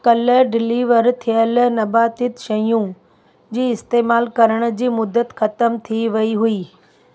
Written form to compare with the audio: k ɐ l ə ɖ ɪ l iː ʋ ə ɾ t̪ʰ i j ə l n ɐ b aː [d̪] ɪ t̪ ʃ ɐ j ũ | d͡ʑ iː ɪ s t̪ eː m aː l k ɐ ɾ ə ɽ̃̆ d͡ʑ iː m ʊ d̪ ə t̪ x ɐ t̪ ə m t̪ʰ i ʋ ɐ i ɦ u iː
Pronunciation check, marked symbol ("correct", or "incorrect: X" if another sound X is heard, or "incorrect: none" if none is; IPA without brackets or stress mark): incorrect: t̪